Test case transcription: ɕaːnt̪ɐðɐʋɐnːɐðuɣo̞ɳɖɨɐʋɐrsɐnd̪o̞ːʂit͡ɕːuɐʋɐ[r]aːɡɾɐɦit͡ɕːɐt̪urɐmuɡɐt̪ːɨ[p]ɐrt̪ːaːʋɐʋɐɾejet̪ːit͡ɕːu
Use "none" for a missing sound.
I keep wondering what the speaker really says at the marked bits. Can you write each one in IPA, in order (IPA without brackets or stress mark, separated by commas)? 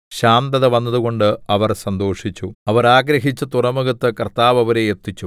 ɾ, k